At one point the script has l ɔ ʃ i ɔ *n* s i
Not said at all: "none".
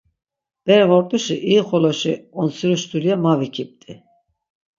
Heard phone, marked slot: n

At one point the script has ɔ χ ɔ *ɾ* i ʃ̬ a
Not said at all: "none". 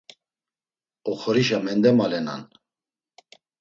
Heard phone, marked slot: ɾ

